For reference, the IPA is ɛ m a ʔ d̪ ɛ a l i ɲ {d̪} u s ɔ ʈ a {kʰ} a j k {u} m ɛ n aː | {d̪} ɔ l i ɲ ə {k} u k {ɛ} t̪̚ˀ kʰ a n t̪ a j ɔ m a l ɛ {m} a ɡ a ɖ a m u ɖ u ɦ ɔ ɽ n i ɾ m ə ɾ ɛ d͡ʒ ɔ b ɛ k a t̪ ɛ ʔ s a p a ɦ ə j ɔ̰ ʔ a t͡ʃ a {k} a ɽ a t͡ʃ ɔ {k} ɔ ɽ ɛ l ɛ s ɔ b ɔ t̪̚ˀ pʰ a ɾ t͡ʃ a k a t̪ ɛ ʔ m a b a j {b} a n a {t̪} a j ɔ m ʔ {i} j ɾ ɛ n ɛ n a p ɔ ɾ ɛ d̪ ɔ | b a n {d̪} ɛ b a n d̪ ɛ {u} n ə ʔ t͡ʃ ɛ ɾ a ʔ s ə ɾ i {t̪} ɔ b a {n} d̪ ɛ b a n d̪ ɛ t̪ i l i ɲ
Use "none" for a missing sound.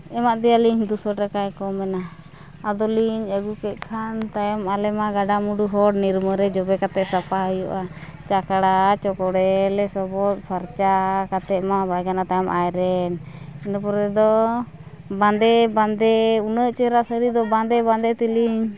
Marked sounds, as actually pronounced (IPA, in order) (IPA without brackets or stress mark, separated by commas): d̪, k, ɔ, d̪, ɡ, ɛ, m, k, k, ɡ, t̪, a, d̪, u, d̪, n